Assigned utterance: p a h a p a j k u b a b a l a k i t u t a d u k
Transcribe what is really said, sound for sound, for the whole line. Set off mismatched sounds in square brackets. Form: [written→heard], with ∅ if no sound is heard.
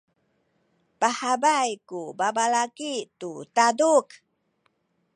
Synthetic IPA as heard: p a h a [p→b] a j k u b a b a l a k i t u t a d u k